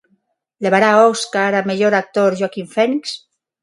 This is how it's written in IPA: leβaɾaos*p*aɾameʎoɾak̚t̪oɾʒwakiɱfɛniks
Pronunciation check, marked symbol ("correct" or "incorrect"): incorrect